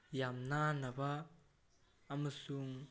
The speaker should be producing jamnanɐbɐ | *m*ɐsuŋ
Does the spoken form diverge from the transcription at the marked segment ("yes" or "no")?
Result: no